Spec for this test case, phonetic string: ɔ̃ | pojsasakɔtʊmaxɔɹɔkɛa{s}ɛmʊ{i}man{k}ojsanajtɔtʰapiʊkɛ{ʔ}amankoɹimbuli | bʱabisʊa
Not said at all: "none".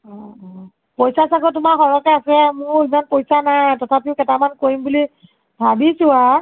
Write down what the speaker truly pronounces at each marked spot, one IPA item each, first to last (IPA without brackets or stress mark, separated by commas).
s, i, p, t